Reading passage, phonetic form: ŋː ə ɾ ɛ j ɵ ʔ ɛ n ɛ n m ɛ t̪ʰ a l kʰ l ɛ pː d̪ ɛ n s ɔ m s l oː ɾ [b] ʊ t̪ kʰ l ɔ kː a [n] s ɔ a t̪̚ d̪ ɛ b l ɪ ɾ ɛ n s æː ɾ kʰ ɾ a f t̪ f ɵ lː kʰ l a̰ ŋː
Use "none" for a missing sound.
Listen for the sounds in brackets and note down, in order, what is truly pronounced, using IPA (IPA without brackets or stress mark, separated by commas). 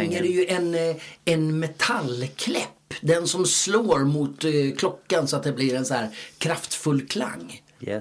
m, n